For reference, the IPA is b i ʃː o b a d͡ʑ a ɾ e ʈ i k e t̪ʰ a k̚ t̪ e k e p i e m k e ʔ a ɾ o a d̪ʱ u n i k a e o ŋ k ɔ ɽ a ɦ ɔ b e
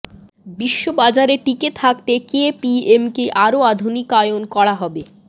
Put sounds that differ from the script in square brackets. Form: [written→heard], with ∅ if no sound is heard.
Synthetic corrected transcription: b i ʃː o b a d͡ʑ a ɾ e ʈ i k e t̪ʰ a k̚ t̪ e k e p i e m k e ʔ a ɾ o a d̪ʱ u n i k a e o [ŋ→n] k ɔ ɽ a ɦ ɔ b e